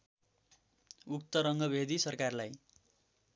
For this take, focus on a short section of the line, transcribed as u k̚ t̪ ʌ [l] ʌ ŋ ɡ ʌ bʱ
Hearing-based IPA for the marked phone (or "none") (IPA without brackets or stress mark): ɾ